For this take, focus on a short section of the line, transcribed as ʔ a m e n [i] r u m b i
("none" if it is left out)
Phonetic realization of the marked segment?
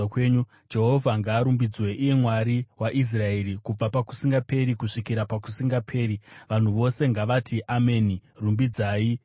i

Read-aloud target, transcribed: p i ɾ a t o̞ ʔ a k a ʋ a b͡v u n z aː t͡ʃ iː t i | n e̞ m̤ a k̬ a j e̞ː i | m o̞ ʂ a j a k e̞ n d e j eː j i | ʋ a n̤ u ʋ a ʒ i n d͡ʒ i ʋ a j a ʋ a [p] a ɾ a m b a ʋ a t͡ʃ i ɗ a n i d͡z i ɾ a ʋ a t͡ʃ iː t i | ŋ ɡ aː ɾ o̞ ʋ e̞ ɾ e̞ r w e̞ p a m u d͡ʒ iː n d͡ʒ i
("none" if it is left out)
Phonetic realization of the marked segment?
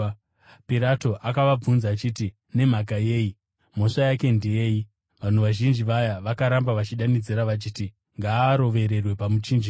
k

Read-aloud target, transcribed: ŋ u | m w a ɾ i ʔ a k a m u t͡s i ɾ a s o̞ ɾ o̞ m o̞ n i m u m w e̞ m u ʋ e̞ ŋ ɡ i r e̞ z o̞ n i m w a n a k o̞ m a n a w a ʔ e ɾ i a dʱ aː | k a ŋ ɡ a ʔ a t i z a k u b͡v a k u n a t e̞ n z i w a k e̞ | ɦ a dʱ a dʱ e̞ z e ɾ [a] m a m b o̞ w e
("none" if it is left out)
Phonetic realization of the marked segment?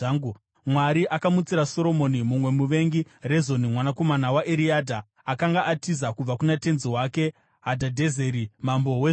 i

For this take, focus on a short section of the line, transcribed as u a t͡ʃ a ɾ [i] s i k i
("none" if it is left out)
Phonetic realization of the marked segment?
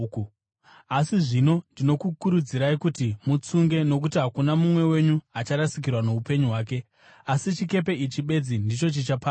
a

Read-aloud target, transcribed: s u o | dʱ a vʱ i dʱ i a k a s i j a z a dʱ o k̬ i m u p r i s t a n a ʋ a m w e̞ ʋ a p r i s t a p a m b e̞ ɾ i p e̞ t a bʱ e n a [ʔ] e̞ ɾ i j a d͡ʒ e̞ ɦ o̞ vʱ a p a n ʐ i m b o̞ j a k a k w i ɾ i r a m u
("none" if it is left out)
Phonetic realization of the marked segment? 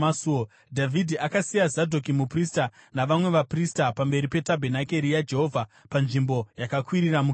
k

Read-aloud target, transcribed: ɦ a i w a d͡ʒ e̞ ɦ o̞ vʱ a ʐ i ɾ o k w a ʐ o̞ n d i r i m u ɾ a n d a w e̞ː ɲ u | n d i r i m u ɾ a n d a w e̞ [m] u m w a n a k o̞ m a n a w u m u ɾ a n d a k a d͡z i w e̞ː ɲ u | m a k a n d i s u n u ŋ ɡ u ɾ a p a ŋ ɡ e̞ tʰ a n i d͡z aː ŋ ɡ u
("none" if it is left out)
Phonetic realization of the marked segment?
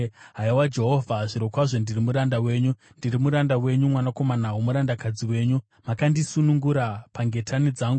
ɲ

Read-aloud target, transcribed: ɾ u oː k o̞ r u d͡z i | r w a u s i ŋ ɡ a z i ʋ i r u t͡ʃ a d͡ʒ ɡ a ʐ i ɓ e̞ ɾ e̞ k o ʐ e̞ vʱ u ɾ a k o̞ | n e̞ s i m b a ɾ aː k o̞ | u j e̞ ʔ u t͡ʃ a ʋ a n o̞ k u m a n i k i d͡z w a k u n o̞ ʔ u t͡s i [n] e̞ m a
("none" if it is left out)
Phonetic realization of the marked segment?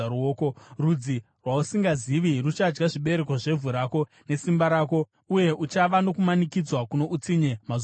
ɲ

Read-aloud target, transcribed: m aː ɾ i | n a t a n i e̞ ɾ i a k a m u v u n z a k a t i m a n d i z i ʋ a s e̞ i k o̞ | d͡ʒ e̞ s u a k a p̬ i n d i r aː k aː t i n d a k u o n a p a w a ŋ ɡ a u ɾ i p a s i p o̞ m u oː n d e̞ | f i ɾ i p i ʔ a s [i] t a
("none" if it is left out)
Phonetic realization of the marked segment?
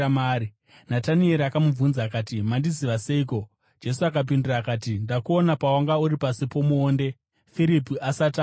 a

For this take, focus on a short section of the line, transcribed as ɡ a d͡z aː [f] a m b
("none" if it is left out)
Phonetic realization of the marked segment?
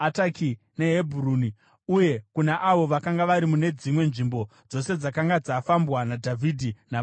f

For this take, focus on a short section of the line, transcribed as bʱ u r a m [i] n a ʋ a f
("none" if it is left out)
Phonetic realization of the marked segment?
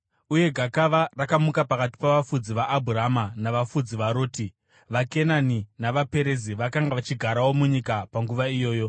a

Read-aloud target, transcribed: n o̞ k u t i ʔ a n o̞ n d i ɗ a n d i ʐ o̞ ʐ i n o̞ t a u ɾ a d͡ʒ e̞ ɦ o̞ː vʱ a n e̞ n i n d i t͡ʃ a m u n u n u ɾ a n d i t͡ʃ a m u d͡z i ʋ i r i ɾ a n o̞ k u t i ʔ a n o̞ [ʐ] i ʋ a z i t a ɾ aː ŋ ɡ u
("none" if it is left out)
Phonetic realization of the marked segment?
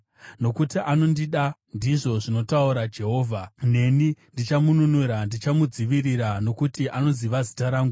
z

